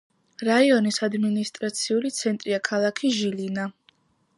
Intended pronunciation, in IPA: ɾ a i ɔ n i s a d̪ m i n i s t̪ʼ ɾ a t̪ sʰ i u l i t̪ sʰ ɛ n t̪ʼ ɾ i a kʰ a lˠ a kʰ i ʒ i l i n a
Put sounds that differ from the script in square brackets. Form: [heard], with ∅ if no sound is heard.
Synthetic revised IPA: ɾ a i ɔ n i s a d̪ m i n i s t̪ʼ ɾ a t̪ sʰ i u l i t̪ sʰ ɛ n t̪ʼ ɾ i a kʰ a lˠ a kʰ i ʒ i l i n a

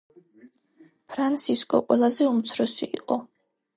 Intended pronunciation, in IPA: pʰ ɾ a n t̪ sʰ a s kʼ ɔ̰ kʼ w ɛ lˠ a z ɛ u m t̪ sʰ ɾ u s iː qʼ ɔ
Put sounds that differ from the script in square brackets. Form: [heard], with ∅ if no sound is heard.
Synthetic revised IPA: pʰ ɾ a n t̪ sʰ [i] s kʼ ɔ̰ [qʼ] w ɛ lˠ a z ɛ u m t̪ sʰ ɾ [ɔ] s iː qʼ ɔ

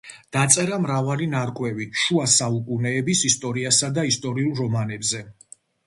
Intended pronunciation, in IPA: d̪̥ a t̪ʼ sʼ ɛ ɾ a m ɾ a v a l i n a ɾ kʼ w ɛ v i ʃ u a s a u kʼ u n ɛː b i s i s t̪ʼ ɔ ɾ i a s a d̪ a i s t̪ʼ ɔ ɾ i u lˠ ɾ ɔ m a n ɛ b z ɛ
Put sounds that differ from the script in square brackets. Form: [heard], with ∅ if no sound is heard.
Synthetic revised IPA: d̪̥ a [t̪] sʼ ɛ ɾ a m ɾ a v a l i n a ɾ kʼ w ɛ v i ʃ u a s a u kʼ u n ɛː b i s i s t̪ʼ ɔ ɾ i a s a d̪ a i s t̪ʼ ɔ ɾ i u lˠ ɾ ɔ m a n ɛ b z ɛ

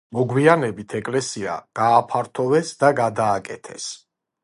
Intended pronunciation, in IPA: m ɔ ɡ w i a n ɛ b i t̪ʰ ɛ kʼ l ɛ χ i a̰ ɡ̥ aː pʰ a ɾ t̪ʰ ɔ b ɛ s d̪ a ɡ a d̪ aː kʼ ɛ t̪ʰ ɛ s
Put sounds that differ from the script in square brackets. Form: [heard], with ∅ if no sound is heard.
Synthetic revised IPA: m ɔ ɡ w i a n ɛ b i t̪ʰ ɛ kʼ l ɛ [s] i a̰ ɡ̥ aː pʰ a ɾ t̪ʰ ɔ [v] ɛ s d̪ a ɡ a d̪ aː kʼ ɛ t̪ʰ ɛ s

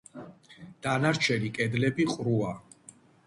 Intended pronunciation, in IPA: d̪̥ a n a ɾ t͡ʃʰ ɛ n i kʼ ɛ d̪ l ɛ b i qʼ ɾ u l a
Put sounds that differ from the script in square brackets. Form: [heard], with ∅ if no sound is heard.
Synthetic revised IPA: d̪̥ a n a ɾ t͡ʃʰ ɛ n i kʼ ɛ d̪ l ɛ b i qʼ ɾ u [∅] a

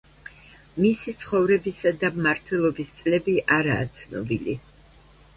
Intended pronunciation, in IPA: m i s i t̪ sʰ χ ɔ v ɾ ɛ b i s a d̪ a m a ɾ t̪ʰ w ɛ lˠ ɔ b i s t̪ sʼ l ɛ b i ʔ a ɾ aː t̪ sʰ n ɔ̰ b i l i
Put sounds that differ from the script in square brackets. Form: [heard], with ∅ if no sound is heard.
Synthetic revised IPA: m i s i t̪ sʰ χ ɔ v ɾ ɛ b i s a d̪ a m a ɾ t̪ʰ w ɛ lˠ ɔ b i s t̪ sʼ l ɛ b i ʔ a ɾ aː t̪ sʰ n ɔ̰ b i l i

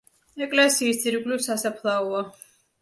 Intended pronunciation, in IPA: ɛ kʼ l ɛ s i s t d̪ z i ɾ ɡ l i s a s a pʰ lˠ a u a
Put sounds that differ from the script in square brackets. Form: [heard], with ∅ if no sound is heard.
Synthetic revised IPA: ɛ kʼ l ɛ s [iː] s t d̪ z i ɾ ɡ l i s a s a pʰ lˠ a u a

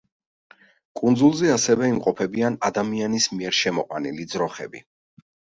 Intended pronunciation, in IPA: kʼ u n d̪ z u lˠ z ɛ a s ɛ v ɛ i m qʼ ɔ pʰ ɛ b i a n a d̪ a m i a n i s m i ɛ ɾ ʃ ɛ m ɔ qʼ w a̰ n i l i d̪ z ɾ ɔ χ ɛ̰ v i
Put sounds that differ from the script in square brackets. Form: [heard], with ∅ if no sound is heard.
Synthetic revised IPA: kʼ u n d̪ z u lˠ z ɛ a s ɛ v ɛ i m qʼ ɔ pʰ ɛ b i a n a d̪ a m i a n i s m i ɛ ɾ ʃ ɛ m ɔ qʼ w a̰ n i l i d̪ z ɾ ɔ χ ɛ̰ [b] i

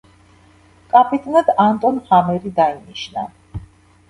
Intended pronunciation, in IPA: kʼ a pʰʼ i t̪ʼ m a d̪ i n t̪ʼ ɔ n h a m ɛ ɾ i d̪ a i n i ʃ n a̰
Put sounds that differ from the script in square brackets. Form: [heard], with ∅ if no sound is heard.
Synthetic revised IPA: kʼ a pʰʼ i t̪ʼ [n] a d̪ [a] n t̪ʼ ɔ n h a m ɛ ɾ i d̪ a i n i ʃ n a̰

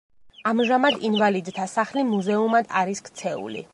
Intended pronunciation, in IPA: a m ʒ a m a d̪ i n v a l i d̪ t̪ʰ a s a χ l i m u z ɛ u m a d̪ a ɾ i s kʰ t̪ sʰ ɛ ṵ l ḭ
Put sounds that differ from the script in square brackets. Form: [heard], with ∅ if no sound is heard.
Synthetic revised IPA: a m ʒ a m a d̪ i n v a l i d̪ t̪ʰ a s a χ l i m u z ɛ u m a d̪ a ɾ i s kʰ t̪ sʰ ɛ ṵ l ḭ

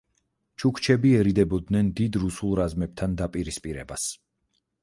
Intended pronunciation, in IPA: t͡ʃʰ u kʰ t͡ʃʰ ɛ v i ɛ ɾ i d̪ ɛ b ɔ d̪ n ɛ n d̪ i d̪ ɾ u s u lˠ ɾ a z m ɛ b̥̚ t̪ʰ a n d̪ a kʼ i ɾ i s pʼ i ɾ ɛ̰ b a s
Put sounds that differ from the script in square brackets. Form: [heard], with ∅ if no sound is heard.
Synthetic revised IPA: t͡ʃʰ u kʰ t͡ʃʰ ɛ [b] i ɛ ɾ i d̪ ɛ b ɔ d̪ n ɛ n d̪ i d̪ ɾ u s u lˠ ɾ a z m ɛ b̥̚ t̪ʰ a n d̪ a [pʼ] i ɾ i s pʼ i ɾ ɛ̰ b a s

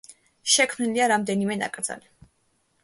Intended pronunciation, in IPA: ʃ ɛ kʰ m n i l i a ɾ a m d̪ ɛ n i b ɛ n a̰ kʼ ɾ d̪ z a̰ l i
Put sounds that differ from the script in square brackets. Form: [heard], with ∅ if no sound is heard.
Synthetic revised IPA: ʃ ɛ kʰ m n i l i a ɾ a m d̪ ɛ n i [m] ɛ n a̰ kʼ ɾ d̪ z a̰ l i

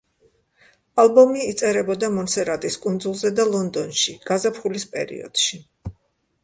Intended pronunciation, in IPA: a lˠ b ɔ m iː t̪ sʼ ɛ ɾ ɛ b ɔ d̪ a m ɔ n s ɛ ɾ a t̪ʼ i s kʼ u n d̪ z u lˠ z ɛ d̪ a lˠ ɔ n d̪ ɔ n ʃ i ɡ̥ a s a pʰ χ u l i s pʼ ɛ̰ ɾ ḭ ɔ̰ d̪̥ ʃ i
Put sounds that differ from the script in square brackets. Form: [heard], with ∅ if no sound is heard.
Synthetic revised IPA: a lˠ b ɔ m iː t̪ sʼ ɛ ɾ ɛ b ɔ d̪ a m ɔ n s ɛ ɾ a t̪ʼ i s kʼ u n d̪ z u lˠ z ɛ d̪ a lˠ ɔ n d̪ ɔ n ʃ i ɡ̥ a [z] a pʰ χ u l i s pʼ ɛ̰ ɾ ḭ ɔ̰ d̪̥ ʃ i

